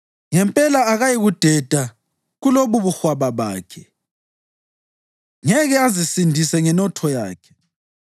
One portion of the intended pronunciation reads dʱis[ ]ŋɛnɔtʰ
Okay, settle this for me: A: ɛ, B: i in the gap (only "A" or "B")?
A